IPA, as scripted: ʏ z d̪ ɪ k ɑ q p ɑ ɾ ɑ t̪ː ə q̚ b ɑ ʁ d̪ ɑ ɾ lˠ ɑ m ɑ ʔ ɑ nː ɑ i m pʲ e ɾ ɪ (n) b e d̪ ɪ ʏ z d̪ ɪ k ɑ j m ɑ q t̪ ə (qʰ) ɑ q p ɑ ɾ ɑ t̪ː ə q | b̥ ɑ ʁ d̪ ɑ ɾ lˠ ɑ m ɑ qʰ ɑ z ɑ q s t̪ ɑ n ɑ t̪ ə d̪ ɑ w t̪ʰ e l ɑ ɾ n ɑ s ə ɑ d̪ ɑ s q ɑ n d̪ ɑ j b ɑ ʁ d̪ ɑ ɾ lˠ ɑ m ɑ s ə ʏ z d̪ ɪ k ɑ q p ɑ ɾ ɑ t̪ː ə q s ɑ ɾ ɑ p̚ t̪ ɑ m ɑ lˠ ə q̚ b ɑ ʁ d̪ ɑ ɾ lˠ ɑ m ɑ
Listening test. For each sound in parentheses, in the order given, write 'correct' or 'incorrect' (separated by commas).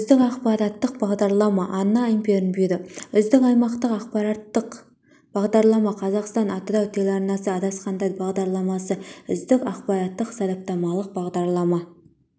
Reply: correct, incorrect